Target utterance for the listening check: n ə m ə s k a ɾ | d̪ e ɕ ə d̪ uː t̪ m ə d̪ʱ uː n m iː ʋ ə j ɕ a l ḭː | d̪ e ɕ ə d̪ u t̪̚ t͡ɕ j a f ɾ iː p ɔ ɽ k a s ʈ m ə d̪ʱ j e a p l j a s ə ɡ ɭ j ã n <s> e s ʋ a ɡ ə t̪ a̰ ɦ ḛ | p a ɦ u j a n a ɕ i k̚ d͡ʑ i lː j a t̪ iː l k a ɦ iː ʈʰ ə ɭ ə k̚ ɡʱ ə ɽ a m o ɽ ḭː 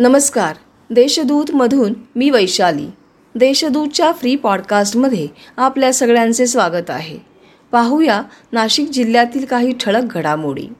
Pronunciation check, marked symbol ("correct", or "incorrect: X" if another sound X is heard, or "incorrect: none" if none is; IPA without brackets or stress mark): incorrect: t͡s